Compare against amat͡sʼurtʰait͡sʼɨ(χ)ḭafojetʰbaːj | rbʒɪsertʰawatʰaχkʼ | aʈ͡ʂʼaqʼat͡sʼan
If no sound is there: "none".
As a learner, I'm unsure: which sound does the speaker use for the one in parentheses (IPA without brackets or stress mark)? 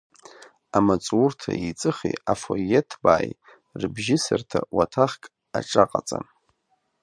χ